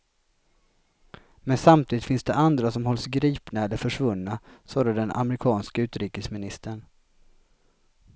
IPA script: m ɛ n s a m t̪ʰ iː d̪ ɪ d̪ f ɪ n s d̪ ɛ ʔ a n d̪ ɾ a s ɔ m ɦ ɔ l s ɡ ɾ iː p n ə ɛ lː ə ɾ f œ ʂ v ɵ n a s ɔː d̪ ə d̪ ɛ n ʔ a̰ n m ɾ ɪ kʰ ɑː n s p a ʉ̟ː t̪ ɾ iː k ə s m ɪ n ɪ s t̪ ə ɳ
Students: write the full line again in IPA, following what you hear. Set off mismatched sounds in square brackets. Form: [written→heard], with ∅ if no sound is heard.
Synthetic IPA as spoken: m ɛ n s a m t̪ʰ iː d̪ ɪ [d̪→t̪] f ɪ n s d̪ ɛ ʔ a n d̪ ɾ a s ɔ m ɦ ɔ l s ɡ ɾ iː p n [ə→a] ɛ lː ə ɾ f œ ʂ v ɵ [n→nː] a s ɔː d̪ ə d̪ ɛ n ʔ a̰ [n→∅] m ɾ ɪ kʰ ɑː n s [p→k] a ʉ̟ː t̪ ɾ iː k ə s m ɪ n ɪ s t̪ ə ɳ